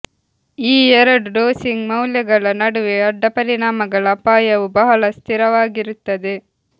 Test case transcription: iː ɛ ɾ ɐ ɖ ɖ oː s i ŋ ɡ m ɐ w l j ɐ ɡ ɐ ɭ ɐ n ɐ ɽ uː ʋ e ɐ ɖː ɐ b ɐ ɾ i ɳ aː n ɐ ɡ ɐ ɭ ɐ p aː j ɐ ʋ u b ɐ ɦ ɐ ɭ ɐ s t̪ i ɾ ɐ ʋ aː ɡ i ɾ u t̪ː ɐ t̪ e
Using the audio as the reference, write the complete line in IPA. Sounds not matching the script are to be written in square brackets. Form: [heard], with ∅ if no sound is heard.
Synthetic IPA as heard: iː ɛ ɾ ɐ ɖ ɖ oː s i ŋ ɡ m ɐ w l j ɐ ɡ ɐ ɭ ɐ n ɐ ɽ [u] ʋ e ɐ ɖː ɐ [p] ɐ ɾ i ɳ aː [m] ɐ ɡ ɐ ɭ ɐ p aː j ɐ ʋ u b ɐ ɦ ɐ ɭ ɐ s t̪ i ɾ ɐ ʋ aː ɡ i ɾ u t̪ː ɐ [d̪] e